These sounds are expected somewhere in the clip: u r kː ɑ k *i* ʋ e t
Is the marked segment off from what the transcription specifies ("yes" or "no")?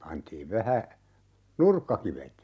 no